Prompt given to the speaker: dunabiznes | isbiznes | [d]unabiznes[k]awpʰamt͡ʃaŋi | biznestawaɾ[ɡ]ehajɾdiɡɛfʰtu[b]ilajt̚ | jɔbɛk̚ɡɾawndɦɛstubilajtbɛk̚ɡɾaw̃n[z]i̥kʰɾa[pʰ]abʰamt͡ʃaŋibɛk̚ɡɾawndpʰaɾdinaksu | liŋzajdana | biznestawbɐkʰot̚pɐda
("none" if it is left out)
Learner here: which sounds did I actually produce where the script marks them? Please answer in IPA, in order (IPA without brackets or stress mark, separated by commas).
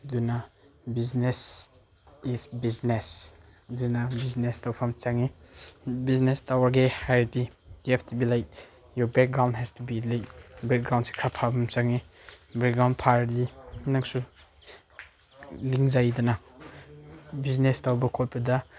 d, t, ɡ, b, s, pʰ